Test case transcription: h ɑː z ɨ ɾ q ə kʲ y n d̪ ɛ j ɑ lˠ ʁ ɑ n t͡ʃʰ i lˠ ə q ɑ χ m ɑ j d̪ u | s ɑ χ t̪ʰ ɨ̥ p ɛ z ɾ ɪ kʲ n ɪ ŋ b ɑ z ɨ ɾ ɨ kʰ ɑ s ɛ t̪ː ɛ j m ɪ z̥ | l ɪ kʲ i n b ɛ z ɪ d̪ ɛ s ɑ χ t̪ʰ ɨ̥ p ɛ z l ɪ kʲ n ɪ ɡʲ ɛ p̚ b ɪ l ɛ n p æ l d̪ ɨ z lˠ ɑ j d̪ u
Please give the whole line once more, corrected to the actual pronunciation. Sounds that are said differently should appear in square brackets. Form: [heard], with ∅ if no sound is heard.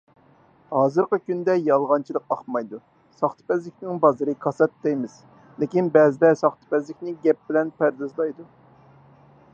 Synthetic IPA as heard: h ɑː z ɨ ɾ q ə kʲ y n d̪ ɛ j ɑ lˠ ʁ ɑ n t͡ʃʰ i lˠ ə q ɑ χ m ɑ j d̪ u | s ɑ χ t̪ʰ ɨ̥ p ɛ z [l] ɪ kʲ n ɪ ŋ b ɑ z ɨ ɾ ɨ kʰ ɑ s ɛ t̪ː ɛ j m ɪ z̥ | l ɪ kʲ i n b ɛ z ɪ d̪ ɛ s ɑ χ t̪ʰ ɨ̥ p ɛ z l ɪ kʲ n ɪ ɡʲ ɛ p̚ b ɪ l ɛ n p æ [ɾ] d̪ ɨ z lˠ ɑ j d̪ u